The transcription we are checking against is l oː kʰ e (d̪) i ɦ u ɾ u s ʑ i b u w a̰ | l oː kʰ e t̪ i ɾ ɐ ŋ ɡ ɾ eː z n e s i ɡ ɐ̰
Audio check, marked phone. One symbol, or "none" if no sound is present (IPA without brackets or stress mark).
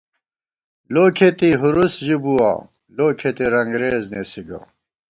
t̪